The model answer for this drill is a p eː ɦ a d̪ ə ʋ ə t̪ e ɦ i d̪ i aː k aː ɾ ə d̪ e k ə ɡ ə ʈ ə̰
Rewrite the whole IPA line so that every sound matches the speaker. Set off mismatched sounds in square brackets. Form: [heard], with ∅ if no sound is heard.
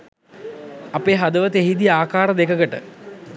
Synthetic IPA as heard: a p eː ɦ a d̪ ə ʋ ə t̪ e ɦ i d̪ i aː k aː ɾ ə d̪ e k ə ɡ ə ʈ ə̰